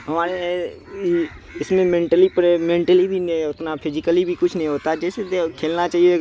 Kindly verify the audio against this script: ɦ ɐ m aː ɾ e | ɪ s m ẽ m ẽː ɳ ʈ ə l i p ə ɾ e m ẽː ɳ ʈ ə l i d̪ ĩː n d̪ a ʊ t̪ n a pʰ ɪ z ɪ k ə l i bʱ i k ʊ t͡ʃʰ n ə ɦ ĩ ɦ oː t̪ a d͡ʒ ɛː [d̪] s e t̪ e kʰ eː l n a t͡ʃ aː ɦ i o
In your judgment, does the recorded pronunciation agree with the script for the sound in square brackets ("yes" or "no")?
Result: no